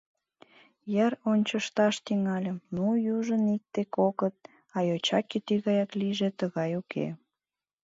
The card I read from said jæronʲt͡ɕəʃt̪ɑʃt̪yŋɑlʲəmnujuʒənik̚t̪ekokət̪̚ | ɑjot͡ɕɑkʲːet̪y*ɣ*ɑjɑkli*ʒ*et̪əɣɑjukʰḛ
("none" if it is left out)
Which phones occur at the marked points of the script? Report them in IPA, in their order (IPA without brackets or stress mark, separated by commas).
ɣ, ʒ